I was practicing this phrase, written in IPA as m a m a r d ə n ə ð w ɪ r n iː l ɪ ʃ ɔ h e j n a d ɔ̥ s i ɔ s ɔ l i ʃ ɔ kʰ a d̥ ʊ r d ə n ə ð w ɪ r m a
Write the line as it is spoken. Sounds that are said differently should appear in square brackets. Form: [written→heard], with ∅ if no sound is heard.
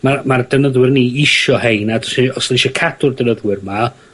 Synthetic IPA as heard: m a m a r d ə n ə ð w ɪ r n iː [l→∅] ɪ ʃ ɔ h e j n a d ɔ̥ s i ɔ s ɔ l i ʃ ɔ kʰ a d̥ ʊ r d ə n ə ð w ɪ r m a